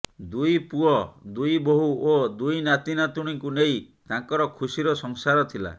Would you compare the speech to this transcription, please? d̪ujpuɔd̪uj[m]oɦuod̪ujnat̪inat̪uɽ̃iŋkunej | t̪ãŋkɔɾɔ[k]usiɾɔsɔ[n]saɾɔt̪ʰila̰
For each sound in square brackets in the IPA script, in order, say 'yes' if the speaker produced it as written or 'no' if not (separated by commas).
no, no, no